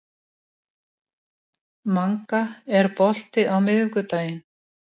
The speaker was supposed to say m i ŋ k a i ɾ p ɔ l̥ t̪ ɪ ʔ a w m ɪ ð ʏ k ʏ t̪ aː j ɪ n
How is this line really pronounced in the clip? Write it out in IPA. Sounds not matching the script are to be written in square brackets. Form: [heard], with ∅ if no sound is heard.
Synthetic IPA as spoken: m [a] ŋ k a [ɛ] ɾ p ɔ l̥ t̪ ɪ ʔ a w m ɪ ð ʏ k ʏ t̪ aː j ɪ n